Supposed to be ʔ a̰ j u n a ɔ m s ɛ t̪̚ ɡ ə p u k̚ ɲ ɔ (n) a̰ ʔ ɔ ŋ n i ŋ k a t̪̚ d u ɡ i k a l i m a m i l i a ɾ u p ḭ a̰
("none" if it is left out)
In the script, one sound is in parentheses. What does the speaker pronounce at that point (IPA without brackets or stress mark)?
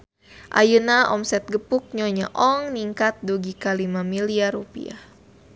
ɲ